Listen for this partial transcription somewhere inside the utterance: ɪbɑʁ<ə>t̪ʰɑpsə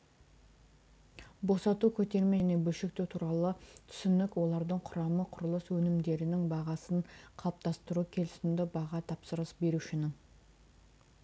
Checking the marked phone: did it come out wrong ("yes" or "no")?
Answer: yes